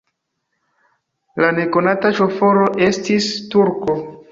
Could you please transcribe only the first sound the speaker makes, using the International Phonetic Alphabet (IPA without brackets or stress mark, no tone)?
l